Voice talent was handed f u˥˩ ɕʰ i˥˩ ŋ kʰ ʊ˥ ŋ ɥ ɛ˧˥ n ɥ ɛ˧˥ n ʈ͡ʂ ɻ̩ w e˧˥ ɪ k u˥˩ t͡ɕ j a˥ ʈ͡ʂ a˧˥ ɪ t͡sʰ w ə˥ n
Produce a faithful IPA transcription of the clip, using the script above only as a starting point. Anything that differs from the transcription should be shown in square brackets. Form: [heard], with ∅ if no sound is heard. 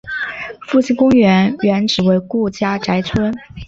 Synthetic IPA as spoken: f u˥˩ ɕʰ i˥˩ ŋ [k] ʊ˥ ŋ ɥ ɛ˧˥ n ɥ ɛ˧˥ n ʈ͡ʂ ɻ̩ w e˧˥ ɪ k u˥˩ t͡ɕ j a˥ ʈ͡ʂ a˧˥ ɪ t͡sʰ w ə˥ n